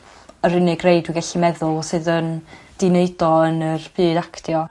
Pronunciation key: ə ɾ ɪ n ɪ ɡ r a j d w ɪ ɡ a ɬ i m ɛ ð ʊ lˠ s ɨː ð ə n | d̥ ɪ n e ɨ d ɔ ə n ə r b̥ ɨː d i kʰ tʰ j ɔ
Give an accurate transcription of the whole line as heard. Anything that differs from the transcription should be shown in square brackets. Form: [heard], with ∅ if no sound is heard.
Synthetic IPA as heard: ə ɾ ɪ n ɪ ɡ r [e] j d w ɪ ɡ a ɬ i m ɛ ð ʊ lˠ s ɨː ð ə n | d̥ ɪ n e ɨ d ɔ ə n ə r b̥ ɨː d [a] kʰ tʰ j ɔ